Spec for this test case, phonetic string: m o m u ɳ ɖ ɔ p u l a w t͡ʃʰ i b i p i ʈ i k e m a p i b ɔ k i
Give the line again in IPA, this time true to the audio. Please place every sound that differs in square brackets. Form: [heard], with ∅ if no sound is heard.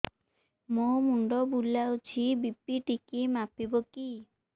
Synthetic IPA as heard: m o m u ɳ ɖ ɔ [b] u l a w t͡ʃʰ i b i p i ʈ i k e m a p i b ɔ k i